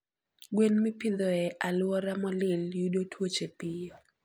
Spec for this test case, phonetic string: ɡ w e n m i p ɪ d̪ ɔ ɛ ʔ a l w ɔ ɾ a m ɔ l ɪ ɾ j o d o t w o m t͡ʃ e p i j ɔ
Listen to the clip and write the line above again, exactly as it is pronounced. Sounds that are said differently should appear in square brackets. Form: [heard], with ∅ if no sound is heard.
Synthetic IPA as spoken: ɡ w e n m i p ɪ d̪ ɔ ɛ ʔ a l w ɔ ɾ a m ɔ l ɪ [l] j [u] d o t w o [∅] t͡ʃ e p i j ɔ